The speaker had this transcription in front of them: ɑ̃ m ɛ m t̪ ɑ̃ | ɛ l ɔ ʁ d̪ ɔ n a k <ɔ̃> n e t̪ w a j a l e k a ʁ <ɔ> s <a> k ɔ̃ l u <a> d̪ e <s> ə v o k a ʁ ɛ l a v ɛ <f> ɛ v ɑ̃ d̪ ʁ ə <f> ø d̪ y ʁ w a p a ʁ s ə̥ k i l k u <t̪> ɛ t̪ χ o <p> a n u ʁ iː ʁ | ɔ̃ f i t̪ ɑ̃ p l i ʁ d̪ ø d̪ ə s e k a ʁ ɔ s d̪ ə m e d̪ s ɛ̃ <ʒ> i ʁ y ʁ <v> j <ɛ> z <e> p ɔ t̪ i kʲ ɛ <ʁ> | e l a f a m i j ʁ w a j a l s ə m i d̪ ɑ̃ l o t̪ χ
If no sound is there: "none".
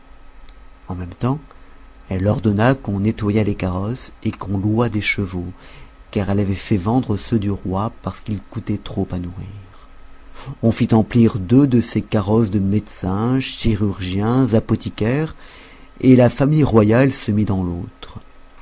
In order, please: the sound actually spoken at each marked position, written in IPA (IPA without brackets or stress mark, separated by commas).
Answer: ɔ̃, ɔ, e, a, ʃ, f, s, t̪, p, ʃ, ʒ, ɛ̃, a, ʁ